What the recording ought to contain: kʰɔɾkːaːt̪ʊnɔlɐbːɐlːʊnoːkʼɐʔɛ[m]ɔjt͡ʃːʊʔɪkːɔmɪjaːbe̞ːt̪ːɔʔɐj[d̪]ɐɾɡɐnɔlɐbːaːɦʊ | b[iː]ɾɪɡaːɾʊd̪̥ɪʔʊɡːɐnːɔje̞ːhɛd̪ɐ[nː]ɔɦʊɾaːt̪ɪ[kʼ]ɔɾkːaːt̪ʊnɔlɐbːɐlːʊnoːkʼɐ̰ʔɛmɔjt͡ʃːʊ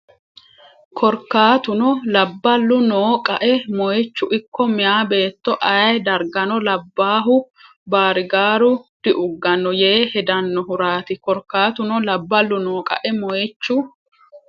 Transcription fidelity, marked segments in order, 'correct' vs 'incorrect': correct, correct, incorrect: aː, correct, incorrect: k

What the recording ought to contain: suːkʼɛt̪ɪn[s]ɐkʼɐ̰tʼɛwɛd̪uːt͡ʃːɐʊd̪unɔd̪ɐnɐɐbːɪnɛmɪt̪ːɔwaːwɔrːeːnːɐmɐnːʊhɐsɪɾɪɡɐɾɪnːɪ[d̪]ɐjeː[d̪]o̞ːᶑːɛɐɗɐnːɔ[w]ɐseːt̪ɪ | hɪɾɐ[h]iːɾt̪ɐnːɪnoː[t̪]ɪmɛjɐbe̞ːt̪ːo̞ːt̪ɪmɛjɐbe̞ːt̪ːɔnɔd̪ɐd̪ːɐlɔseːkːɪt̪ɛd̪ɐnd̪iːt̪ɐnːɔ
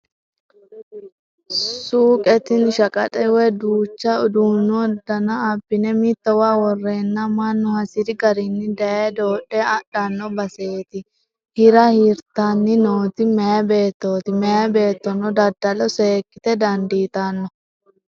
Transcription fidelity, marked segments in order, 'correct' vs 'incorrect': incorrect: ʃ, correct, correct, incorrect: b, correct, correct

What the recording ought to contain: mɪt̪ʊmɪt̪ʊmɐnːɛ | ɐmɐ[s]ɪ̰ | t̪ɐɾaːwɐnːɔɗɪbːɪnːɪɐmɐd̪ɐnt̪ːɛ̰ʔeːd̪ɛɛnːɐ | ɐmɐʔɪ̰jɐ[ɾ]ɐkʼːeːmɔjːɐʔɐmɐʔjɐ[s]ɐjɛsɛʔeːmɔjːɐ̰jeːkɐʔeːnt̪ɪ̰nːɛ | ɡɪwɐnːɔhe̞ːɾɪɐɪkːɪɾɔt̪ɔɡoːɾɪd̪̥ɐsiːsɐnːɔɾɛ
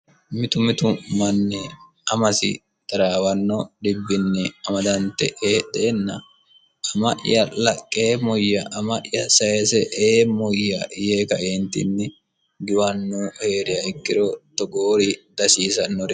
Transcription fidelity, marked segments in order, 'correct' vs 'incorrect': correct, incorrect: l, correct

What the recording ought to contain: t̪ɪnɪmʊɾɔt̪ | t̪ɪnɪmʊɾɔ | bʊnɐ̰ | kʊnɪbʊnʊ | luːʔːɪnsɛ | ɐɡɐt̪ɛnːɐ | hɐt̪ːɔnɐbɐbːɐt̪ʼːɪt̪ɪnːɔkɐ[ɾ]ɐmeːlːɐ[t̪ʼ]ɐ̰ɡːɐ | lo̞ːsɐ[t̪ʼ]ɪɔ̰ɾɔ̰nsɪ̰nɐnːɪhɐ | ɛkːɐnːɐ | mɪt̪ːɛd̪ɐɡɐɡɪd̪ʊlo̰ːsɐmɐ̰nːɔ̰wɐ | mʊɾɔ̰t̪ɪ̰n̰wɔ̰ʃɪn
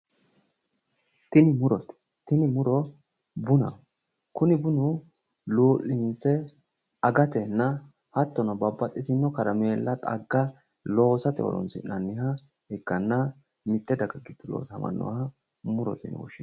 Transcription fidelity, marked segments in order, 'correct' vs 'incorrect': correct, correct, incorrect: t̪

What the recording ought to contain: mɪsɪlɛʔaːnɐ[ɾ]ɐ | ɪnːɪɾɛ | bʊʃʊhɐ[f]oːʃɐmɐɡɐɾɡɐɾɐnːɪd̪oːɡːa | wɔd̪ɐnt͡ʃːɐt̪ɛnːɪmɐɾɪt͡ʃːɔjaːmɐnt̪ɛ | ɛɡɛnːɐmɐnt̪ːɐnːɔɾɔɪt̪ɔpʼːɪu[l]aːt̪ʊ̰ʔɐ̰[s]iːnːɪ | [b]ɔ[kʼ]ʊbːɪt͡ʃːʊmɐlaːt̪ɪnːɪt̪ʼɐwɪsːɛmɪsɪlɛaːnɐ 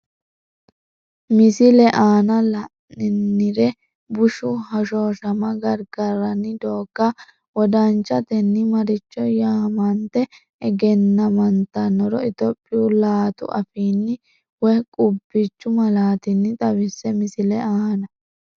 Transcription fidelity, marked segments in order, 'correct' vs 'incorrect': incorrect: l, incorrect: ʃ, correct, incorrect: f, incorrect: w, correct

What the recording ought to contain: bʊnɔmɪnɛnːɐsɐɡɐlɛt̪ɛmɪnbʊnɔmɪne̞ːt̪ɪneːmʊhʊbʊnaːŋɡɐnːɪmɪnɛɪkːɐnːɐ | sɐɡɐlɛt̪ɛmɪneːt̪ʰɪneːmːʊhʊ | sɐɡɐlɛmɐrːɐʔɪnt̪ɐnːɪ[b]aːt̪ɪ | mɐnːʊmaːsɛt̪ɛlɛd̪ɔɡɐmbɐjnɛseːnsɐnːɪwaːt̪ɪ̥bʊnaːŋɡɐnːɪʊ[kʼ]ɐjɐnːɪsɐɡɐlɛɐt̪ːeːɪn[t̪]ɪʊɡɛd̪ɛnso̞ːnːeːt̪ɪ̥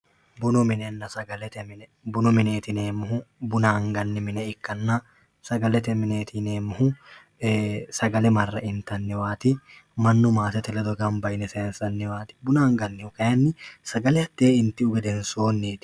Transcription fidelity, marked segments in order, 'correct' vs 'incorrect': incorrect: w, incorrect: k, correct

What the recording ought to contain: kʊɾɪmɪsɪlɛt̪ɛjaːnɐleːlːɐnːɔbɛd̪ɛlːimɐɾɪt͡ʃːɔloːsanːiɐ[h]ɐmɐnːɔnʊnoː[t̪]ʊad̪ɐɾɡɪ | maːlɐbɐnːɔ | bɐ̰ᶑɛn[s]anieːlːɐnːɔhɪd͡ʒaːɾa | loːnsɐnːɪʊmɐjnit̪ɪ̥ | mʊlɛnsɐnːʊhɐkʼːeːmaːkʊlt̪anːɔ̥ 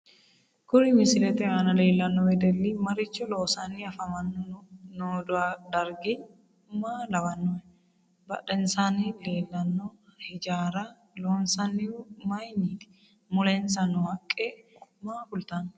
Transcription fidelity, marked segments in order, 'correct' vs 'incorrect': incorrect: f, incorrect: d̪, correct

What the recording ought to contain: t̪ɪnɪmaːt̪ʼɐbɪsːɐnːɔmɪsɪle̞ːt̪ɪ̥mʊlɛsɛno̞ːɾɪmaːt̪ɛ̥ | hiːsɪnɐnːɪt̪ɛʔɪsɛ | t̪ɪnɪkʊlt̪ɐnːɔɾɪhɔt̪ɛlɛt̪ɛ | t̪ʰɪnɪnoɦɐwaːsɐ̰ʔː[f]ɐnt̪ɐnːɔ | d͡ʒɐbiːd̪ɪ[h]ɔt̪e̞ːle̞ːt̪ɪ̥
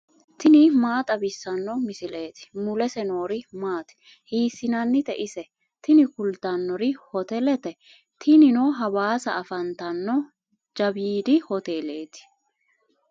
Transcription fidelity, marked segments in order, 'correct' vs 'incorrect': correct, correct

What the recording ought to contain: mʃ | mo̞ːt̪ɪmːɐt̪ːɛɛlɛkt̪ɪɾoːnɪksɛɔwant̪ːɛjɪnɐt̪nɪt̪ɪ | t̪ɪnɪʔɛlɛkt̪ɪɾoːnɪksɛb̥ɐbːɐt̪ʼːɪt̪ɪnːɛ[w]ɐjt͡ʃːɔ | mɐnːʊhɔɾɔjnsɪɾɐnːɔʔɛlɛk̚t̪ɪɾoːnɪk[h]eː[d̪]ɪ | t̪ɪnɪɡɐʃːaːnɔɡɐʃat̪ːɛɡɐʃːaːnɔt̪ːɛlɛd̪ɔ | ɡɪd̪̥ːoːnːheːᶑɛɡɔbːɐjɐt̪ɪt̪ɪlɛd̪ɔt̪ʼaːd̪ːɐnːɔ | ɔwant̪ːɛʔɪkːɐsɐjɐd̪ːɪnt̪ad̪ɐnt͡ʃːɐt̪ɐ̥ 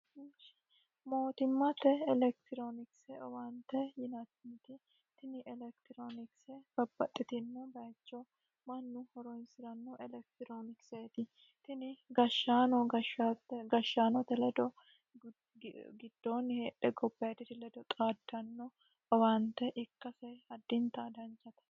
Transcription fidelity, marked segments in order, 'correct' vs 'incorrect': incorrect: b, incorrect: s, incorrect: t̪

